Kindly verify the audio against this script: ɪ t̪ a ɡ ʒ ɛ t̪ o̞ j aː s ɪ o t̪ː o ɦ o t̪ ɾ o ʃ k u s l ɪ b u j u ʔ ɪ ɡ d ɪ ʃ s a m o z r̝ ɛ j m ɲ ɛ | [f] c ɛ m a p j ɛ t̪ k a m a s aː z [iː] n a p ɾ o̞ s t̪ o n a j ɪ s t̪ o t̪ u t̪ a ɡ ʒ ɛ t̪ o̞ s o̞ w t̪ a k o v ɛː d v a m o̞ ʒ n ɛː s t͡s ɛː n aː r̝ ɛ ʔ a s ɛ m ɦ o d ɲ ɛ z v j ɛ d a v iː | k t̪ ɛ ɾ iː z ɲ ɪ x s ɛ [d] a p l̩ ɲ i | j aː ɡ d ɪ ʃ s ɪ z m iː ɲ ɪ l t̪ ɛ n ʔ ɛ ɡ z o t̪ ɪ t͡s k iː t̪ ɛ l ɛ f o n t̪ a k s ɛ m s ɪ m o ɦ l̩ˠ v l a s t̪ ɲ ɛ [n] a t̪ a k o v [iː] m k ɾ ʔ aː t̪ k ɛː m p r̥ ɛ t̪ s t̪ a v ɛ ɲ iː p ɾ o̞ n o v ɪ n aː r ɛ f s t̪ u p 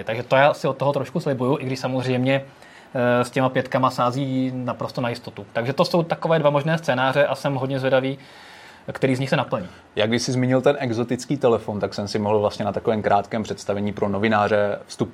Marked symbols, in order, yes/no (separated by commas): no, yes, no, yes, no